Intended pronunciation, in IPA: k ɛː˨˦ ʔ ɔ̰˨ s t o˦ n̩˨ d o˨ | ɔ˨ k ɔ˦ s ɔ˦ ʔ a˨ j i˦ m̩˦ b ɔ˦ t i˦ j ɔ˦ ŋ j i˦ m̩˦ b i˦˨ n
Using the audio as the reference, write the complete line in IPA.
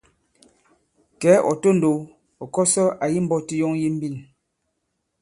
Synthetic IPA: k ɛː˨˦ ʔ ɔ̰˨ t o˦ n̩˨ d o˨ | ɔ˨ k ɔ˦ s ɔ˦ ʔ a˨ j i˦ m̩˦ b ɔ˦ t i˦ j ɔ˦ ŋ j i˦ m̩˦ b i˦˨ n